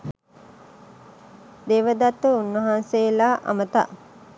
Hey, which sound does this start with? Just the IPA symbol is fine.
d̪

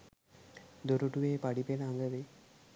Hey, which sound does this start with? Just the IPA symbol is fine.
d̪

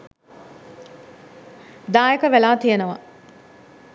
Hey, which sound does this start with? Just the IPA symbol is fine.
d̪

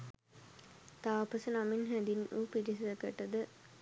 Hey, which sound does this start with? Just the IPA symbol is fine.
t̪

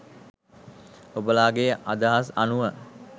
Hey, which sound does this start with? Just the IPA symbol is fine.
o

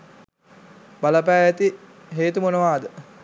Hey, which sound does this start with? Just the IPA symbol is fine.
b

